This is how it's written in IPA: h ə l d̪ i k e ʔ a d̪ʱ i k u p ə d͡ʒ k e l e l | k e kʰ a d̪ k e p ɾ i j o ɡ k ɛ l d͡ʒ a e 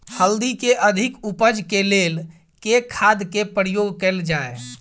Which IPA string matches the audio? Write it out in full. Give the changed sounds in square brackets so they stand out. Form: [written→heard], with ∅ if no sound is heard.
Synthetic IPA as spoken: h ə l d̪ i k e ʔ [a→ə] d̪ʱ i k u p ə d͡ʒ k e l e l | k e kʰ a d̪ k e p ɾ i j o ɡ k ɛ l d͡ʒ a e